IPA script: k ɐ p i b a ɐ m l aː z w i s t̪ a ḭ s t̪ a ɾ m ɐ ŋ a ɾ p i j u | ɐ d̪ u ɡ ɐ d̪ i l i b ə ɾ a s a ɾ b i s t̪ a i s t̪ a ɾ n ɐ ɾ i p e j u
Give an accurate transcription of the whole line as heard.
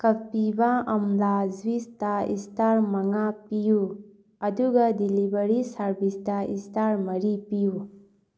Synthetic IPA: k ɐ p i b a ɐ m l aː z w i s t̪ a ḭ s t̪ a ɾ m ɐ ŋ a p i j u | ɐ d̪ u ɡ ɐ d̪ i l i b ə ɾ i s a ɾ b i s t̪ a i s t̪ a ɾ m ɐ ɾ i p i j u